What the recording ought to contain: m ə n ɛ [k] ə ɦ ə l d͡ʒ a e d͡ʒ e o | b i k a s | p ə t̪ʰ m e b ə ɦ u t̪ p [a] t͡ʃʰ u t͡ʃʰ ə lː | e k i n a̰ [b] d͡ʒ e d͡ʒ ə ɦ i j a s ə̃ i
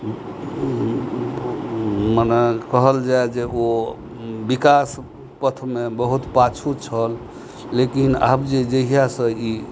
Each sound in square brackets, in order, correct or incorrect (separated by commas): correct, correct, correct